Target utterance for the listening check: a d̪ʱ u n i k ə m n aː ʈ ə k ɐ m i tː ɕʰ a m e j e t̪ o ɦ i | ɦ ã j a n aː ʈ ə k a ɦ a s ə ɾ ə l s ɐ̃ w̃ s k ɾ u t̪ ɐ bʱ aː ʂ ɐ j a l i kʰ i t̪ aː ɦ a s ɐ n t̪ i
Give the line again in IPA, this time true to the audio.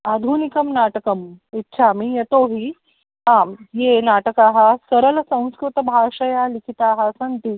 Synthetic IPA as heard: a d̪ʱ u n i k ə m n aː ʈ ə k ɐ m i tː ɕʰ a m i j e t̪ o ɦ i | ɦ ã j e n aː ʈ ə k a ɦ a s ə ɾ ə l s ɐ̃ w̃ s k ɾ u t̪ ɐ bʱ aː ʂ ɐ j a l i kʰ i t̪ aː ɦ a s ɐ n t̪ i